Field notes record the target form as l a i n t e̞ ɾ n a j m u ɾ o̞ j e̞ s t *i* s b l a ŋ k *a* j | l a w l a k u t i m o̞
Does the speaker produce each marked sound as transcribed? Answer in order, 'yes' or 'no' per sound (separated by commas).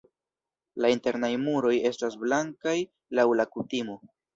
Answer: no, yes